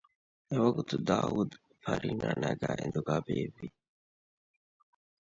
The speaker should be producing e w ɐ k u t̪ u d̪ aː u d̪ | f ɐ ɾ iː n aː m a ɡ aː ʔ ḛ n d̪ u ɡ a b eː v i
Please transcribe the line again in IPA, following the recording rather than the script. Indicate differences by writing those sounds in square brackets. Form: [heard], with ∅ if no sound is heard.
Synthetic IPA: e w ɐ [ɡ] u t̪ u d̪ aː u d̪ | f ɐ ɾ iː n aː [n] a ɡ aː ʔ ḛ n d̪ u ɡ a b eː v i